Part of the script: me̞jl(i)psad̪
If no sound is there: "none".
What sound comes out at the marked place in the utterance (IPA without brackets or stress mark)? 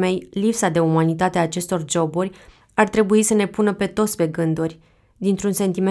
i